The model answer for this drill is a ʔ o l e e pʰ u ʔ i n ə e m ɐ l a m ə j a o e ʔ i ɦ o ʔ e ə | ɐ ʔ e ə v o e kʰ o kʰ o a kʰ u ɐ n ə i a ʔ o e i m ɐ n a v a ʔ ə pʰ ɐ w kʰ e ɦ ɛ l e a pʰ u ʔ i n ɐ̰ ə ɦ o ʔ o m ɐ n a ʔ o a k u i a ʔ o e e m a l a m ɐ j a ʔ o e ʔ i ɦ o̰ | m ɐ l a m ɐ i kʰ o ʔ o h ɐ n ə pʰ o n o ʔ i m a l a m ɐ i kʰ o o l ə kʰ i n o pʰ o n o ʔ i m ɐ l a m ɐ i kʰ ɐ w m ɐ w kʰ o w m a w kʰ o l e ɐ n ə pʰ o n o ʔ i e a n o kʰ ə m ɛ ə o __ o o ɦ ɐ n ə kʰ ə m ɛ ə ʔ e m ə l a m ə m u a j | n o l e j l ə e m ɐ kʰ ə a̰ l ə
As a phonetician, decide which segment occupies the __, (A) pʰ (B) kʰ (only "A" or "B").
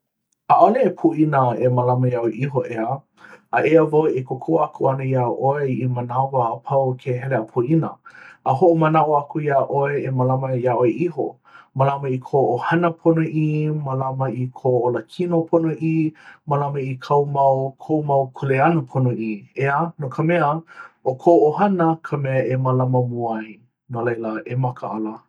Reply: B